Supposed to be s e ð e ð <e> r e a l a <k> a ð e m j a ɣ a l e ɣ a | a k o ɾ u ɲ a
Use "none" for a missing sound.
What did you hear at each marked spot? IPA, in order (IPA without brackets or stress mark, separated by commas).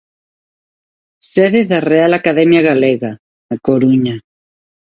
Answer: a, k